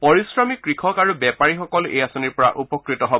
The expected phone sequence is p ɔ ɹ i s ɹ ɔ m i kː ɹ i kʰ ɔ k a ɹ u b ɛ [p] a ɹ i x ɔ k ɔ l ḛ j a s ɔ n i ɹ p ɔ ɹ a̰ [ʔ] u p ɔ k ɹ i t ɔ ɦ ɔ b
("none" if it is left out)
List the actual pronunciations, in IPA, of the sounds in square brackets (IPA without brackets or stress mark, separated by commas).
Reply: p, ʔ